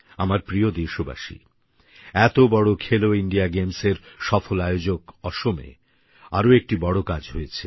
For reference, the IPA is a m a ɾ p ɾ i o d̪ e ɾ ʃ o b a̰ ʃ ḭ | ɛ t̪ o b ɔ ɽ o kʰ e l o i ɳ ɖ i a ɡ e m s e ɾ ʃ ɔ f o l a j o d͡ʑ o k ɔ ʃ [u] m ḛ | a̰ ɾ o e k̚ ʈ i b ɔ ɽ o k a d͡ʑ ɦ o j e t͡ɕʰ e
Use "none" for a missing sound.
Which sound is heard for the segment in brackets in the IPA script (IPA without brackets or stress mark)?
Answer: o